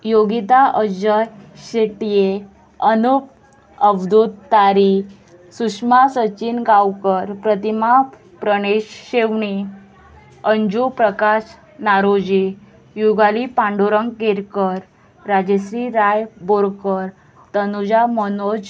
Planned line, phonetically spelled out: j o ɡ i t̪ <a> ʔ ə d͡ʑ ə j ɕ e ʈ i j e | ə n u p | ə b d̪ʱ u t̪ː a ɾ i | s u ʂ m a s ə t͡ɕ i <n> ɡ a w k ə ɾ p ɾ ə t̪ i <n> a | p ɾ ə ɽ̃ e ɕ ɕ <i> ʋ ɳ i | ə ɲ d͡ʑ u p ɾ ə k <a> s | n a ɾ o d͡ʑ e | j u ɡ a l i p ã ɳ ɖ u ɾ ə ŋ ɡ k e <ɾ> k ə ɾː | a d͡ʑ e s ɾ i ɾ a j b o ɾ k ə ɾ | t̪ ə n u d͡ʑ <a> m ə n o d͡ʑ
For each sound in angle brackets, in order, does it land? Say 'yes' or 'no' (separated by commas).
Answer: yes, yes, no, no, yes, yes, yes